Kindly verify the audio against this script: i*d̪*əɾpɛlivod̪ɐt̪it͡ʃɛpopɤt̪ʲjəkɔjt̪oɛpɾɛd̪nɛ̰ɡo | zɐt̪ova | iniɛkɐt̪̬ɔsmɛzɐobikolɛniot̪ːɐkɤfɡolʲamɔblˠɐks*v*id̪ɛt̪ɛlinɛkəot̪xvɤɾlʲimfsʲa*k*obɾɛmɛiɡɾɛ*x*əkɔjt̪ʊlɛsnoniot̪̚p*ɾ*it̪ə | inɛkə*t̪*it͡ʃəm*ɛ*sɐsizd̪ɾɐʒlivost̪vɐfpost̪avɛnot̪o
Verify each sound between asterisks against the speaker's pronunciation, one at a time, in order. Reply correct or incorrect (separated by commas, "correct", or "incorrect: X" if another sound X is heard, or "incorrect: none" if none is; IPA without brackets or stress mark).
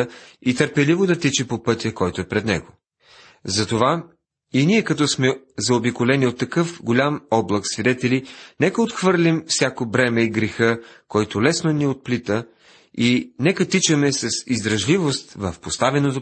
incorrect: t̪, correct, correct, correct, incorrect: l, correct, correct